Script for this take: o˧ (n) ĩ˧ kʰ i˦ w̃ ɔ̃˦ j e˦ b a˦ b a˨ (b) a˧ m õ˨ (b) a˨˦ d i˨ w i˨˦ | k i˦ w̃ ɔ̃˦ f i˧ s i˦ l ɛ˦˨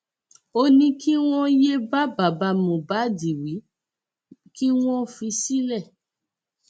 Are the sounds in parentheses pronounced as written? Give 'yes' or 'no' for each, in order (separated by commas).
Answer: yes, yes, yes